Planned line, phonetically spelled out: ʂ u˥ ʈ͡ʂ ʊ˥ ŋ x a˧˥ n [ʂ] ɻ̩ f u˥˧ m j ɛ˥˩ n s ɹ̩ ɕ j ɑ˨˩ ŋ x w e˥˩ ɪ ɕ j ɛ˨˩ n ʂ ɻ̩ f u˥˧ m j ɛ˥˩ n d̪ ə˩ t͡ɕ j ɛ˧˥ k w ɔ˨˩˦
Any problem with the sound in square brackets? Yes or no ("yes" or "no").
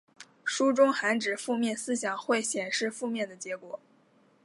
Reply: yes